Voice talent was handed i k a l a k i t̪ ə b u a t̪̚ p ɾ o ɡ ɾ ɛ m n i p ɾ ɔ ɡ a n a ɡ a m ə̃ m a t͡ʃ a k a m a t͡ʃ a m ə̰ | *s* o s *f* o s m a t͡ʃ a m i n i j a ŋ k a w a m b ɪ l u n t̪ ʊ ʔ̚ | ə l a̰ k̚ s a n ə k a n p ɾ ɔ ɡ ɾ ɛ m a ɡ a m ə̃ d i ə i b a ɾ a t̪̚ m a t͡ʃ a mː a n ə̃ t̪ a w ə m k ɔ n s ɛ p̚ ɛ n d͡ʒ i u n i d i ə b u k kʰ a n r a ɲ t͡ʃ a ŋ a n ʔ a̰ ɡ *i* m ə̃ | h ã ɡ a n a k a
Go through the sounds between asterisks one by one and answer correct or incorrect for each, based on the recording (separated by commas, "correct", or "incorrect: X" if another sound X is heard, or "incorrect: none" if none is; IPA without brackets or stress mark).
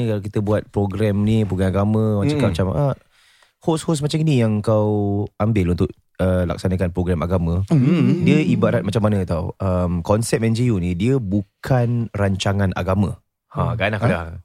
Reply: incorrect: h, incorrect: h, incorrect: a